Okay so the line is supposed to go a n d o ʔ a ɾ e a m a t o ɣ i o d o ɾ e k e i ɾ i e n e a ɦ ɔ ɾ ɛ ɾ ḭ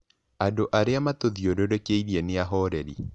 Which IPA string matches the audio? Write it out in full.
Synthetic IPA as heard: a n d o ʔ a ɾ e a m a t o ð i o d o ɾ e k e i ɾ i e n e a ɦ ɔ ɾ ɛ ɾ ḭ